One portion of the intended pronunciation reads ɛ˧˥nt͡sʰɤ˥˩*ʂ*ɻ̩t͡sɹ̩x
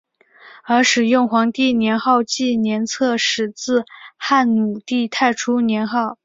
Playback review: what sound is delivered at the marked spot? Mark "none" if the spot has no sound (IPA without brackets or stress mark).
ʂ